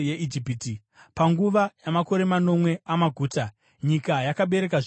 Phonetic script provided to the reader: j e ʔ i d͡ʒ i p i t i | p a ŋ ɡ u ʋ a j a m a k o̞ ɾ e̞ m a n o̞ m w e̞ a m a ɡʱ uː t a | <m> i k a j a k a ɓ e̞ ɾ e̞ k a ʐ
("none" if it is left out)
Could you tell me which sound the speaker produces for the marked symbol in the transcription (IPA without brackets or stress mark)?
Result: ɲ